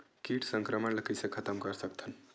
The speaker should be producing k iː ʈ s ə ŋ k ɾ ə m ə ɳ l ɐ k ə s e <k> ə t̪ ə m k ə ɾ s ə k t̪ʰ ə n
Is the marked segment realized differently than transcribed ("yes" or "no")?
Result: yes